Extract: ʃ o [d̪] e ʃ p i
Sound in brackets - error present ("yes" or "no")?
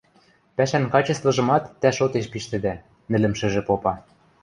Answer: yes